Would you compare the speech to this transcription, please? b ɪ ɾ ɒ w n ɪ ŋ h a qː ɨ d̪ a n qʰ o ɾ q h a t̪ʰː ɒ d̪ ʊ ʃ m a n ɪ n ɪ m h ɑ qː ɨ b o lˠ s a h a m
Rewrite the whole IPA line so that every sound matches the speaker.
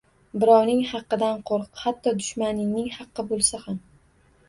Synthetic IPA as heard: b ɪ ɾ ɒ w n ɪ ŋ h ɑ qː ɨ d̪ a n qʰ o ɾ q h a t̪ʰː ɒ d̪ ʊ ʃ m a n ɪ n ɪ ŋ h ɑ qː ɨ b o lˠ s a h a m